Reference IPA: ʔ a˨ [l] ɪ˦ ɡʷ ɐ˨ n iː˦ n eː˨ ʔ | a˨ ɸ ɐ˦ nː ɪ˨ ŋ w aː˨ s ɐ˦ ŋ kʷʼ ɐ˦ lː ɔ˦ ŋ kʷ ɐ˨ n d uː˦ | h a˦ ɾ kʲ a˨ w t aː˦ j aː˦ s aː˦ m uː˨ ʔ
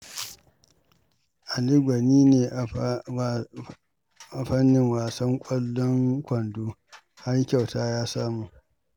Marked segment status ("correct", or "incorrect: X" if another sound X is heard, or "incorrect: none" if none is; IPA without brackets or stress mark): correct